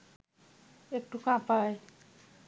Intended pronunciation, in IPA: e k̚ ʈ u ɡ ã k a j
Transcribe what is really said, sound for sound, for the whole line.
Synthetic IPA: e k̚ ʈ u k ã p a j

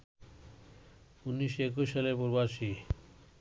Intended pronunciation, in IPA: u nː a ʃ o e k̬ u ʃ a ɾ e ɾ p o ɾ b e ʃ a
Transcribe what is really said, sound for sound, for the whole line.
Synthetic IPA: u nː i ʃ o e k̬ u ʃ a l e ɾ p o ɾ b a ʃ i

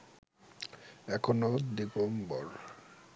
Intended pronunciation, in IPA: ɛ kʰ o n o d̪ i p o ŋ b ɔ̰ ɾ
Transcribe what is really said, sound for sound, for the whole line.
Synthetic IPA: ɛ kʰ o n o d̪ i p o m b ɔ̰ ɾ

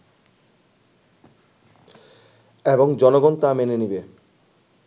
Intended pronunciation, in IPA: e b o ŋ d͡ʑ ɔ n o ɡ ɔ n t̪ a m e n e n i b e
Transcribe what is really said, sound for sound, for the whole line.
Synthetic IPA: e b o ŋ d͡ʑ ɔ n o ɡ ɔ n t̪ a m e n e n i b e

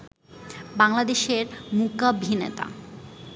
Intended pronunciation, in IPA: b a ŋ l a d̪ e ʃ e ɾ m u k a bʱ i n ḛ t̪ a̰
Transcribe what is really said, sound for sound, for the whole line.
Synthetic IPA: b a ŋ l a d̪ e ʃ e ɾ m u k a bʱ i n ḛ t̪ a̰

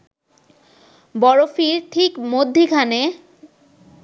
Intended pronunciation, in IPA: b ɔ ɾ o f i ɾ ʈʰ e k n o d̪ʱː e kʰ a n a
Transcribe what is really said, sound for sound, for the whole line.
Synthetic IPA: b ɔ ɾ o f i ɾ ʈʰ i k m o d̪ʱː i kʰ a n e

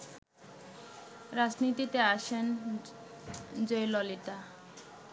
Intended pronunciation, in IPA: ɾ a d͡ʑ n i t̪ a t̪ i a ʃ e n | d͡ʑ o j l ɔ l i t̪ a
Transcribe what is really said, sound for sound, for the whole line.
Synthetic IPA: ɾ a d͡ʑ n i t̪ i t̪ e a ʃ e n | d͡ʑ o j l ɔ l i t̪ a

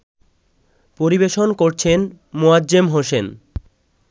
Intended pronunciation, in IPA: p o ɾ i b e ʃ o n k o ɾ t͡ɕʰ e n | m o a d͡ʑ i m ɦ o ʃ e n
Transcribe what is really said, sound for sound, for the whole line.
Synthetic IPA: p o ɾ i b e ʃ o n k o ɾ t͡ɕʰ e n | m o a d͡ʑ e m ɦ o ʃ e n

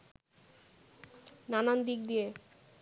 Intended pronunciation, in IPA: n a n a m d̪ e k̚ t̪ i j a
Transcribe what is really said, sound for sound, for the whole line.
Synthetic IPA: n a n a n d̪ i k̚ d̪ i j e

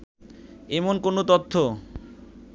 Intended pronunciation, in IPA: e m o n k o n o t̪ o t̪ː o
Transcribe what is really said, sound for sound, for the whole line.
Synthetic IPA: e m o n k o n o t̪ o t̪ʰː o

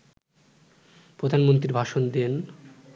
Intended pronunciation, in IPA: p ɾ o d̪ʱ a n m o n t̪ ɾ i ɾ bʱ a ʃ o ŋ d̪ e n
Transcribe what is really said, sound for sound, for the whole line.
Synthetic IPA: p ɾ o d̪ʱ a n m o n t̪ ɾ i ɾ bʱ a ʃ o n d̪ e n

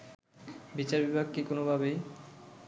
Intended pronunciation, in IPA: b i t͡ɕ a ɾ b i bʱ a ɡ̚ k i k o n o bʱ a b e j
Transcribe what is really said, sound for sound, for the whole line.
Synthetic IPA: b i t͡ɕ a ɾ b i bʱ a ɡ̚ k i k o n o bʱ a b e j

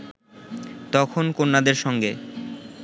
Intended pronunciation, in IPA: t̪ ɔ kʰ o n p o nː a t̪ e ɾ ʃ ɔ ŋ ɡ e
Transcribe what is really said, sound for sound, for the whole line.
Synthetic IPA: t̪ ɔ kʰ o n k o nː a d̪ e ɾ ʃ ɔ ŋ ɡ e

